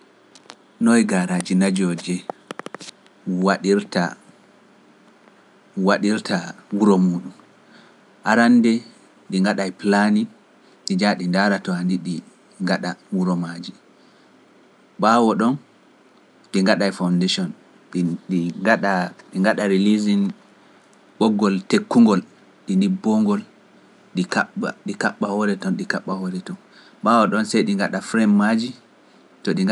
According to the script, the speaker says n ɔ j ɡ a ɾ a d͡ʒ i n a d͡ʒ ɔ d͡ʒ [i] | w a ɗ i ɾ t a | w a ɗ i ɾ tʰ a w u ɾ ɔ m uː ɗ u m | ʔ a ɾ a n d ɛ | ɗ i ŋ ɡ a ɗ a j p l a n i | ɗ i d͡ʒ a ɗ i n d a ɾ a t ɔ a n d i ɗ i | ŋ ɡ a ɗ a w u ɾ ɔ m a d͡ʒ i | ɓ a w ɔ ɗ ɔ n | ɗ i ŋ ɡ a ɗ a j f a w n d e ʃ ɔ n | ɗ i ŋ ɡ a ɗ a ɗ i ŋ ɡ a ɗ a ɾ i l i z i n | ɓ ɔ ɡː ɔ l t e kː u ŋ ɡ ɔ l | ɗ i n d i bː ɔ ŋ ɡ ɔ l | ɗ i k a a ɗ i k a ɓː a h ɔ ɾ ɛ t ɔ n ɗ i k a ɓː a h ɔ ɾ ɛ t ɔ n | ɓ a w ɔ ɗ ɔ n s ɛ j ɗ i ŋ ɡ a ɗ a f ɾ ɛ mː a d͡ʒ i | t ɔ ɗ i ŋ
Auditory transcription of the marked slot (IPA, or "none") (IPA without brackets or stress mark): ɛ